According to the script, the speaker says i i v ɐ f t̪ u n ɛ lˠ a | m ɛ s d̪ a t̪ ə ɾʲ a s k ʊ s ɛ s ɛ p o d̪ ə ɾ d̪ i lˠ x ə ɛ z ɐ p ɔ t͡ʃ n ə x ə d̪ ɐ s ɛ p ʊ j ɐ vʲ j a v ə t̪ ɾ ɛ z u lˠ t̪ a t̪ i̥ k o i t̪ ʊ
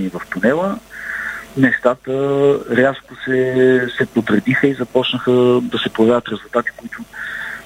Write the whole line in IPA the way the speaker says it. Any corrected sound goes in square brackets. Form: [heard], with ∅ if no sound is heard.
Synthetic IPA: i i v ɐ f t̪ u n ɛ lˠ [ə] | m ɛ s [t̪] a t̪ ə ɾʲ a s k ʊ s ɛ s ɛ p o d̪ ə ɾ d̪ i [∅] x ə [i] z ɐ p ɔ t͡ʃ n ə x ə d̪ ɐ s ɛ p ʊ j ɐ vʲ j a v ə t̪ ɾ ɛ z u lˠ t̪ a t̪ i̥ k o i t̪ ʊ